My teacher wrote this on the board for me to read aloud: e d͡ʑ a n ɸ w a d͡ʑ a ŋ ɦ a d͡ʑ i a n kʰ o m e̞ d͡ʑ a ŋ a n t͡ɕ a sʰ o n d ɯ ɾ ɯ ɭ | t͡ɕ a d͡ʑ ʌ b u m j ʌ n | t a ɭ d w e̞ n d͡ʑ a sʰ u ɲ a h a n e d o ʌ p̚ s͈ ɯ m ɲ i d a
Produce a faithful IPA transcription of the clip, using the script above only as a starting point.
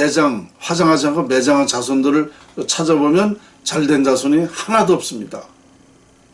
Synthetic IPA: e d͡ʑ a ŋ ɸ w a d͡ʑ a ŋ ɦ a d͡ʑ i a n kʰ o m e̞ d͡ʑ a ŋ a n t͡ɕ a sʰ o n d ɯ ɾ ɯ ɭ | t͡ɕʰ a d͡ʑ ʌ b o m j ʌ n | t͡ɕ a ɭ d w e̞ n d͡ʑ a sʰ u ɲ i h a n a d o ʌ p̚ s͈ ɯ m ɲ i d a

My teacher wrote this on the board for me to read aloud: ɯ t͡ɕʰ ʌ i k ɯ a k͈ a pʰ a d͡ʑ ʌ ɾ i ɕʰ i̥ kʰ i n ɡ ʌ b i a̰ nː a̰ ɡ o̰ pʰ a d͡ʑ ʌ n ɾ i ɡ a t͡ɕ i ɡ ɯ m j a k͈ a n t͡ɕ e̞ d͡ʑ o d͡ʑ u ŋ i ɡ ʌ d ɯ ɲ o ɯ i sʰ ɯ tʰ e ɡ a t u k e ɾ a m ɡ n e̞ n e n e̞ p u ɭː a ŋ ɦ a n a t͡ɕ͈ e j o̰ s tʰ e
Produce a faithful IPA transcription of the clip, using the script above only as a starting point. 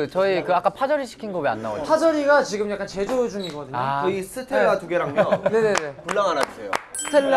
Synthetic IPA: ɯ t͡ɕ ʌ i k ɯ a k͈ a pʰ a d͡ʑ ʌ ɾ i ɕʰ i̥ kʰ i n ɡ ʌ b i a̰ nː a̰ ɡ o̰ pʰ a d͡ʑ ʌ ɾ i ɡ a t͡ɕ i ɡ ɯ m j a k͈ a n t͡ɕ e̞ d͡ʑ o d͡ʑ u ŋ i ɡ ʌ d ɯ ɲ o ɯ i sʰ ɯ tʰ e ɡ a t u ɡ e ɾ a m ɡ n e̞ n e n e̞ p u ɭː a ŋ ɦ a n a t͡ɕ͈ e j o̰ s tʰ e

